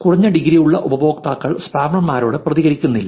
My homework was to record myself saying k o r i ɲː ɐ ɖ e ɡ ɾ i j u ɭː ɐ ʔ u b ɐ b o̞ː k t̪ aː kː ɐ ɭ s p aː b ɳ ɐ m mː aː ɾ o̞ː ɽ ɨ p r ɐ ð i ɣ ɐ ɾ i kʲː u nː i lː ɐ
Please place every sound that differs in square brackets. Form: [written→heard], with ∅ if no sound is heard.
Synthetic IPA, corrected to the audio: k [o→u] r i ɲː ɐ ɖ [e→i] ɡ ɾ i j u ɭː ɐ ʔ u b ɐ b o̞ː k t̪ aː kː ɐ ɭ s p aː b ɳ ɐ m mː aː ɾ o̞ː ɽ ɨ p r ɐ ð i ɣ ɐ ɾ i kʲː u nː i lː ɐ